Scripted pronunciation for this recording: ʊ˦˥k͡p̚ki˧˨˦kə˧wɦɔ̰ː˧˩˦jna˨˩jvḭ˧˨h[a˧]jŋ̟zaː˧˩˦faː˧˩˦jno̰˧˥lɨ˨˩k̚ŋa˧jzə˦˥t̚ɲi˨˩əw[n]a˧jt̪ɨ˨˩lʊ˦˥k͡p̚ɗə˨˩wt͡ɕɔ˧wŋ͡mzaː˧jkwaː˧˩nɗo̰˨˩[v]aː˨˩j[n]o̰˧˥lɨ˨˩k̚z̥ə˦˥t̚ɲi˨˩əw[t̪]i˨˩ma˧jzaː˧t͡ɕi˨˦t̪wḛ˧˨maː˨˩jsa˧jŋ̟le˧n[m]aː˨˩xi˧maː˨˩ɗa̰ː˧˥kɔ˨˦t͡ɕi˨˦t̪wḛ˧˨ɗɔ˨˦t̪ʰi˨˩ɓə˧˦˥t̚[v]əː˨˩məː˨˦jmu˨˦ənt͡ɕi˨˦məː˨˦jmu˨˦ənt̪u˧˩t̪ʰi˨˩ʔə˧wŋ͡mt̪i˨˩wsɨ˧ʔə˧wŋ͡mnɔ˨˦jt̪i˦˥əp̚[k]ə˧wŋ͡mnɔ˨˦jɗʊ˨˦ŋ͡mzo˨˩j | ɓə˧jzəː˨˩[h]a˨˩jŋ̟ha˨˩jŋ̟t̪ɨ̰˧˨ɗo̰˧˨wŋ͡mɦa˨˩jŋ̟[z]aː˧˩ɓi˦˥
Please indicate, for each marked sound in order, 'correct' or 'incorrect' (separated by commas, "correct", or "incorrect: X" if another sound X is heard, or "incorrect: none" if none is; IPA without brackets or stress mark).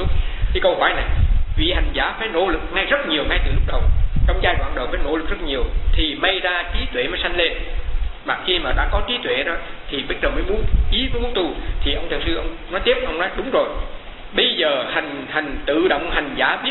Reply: incorrect: a˨˩, incorrect: ŋ, incorrect: f, correct, incorrect: t̪ʰ, correct, incorrect: z, incorrect: ʔ, correct, correct